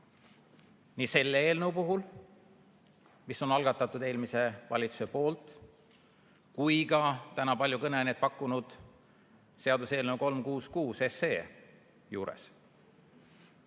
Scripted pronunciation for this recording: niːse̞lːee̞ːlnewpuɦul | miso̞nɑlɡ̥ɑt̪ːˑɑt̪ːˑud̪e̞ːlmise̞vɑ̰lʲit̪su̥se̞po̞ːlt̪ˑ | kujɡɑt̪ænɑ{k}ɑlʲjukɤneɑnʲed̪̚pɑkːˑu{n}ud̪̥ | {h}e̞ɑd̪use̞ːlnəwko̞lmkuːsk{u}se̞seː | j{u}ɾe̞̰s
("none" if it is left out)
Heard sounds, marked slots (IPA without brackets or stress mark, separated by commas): p, n, s, uː, uː